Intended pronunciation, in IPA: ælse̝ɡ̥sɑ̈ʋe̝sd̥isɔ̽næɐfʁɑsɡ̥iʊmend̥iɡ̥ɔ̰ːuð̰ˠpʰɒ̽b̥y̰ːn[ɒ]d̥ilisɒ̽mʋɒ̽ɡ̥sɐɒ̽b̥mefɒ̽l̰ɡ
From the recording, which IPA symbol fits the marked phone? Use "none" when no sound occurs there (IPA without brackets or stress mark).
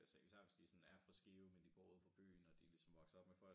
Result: ɒ